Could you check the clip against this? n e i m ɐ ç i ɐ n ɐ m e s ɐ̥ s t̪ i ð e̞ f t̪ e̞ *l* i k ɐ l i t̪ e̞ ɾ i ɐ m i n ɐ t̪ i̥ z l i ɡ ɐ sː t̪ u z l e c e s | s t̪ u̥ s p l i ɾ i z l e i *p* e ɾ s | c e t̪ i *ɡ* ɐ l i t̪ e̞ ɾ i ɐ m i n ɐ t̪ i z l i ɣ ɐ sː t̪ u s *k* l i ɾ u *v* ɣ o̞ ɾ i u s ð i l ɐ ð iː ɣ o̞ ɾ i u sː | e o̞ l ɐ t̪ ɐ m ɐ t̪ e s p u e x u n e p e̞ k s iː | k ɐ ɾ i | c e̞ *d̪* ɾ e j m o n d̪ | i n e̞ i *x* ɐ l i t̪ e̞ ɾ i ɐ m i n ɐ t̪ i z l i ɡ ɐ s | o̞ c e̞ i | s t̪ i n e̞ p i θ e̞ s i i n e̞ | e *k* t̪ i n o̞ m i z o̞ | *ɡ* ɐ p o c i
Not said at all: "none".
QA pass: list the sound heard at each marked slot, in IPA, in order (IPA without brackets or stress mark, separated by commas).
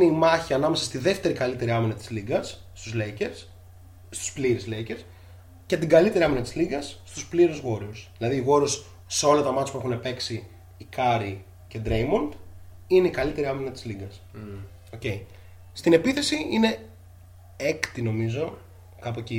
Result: ɾ, c, ɡ, p, z, d̪, k, k, k